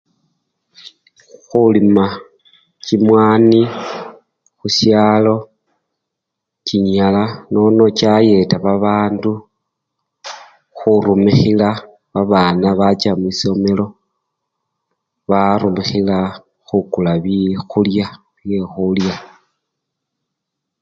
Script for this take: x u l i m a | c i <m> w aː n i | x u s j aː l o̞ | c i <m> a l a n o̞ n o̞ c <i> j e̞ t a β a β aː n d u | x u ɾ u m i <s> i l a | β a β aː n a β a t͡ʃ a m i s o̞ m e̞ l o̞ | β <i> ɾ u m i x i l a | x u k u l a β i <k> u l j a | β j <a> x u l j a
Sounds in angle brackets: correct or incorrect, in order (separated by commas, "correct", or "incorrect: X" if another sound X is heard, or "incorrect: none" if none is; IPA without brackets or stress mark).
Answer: correct, incorrect: ɲ, incorrect: a, incorrect: x, incorrect: a, incorrect: x, incorrect: e